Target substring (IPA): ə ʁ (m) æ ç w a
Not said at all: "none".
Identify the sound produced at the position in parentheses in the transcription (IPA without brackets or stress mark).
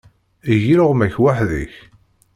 m